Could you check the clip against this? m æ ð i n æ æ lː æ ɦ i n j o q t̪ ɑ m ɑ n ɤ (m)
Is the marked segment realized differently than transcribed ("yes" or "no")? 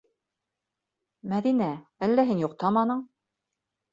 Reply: yes